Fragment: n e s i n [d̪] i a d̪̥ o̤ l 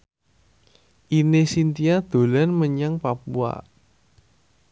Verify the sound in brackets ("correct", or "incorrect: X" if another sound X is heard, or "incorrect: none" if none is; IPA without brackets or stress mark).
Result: incorrect: t̪